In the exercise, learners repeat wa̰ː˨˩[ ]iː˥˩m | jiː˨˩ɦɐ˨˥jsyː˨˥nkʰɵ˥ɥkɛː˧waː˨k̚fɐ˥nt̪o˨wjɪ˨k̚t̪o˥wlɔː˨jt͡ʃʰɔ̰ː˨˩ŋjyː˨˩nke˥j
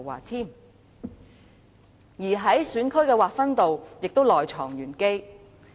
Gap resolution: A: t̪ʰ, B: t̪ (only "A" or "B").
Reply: A